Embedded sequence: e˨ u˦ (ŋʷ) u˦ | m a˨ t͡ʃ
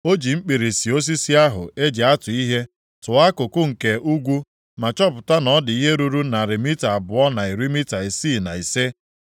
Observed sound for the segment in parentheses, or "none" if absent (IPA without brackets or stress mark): ɡʷ